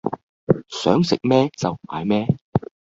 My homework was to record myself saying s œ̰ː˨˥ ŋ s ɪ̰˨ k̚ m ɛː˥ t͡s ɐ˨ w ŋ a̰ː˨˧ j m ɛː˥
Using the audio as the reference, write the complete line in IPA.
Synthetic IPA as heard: s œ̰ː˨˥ ŋ s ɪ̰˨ k̚ m ɛː˥ t͡s ɐ˨ w m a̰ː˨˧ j m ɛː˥

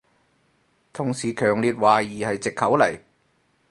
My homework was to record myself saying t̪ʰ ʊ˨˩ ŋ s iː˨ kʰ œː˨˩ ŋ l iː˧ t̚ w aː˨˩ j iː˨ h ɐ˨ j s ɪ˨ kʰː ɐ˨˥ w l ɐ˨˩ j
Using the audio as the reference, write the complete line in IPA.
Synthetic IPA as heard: t̪ʰ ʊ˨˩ ŋ s iː˨ kʰ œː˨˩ ŋ l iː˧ t̚ w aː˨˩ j iː˨ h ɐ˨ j t͡s ɪ˨ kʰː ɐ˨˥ w l ɐ˨˩ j

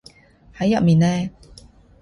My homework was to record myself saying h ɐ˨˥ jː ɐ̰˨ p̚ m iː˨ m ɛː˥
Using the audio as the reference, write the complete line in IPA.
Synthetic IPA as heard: h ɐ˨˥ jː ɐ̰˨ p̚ m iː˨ n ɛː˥

